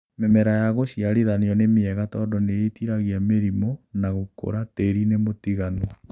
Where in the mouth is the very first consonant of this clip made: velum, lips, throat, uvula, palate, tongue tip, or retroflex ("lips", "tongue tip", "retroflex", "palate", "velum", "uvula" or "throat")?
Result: lips